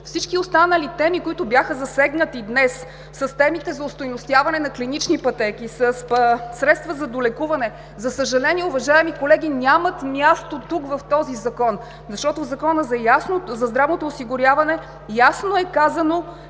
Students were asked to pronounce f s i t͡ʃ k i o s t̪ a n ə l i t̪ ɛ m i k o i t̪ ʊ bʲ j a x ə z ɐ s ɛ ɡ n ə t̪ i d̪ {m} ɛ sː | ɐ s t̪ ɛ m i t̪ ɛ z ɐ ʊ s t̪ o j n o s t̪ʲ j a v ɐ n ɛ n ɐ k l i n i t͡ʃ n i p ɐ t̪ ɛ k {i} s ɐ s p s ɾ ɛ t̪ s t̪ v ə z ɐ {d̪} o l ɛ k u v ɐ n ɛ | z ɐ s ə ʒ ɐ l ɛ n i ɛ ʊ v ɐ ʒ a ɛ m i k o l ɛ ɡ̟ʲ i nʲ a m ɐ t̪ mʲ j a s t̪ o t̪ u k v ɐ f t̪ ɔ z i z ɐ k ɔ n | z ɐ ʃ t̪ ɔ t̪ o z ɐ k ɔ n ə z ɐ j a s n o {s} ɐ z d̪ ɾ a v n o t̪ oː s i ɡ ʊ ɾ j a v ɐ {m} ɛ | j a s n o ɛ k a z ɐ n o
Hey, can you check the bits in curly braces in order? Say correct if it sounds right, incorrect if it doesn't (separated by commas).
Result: incorrect, correct, correct, incorrect, incorrect